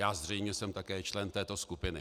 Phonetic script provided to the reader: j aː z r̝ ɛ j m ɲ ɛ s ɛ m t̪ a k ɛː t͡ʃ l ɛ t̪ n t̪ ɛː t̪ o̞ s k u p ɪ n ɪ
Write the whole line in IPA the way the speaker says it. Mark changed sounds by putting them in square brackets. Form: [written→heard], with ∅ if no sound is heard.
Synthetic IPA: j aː z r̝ ɛ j m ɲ ɛ s ɛ m t̪ a k ɛː t͡ʃ l ɛ [t̪→∅] n t̪ ɛː t̪ o̞ s k u p ɪ n ɪ